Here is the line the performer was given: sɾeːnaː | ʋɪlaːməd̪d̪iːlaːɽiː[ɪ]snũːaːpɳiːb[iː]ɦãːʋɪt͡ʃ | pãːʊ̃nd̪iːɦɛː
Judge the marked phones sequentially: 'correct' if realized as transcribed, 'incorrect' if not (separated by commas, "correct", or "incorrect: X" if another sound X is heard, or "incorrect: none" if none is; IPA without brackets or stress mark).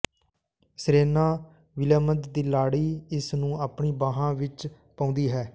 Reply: correct, incorrect: aː